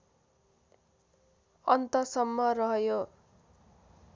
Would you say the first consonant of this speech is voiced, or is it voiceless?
voiced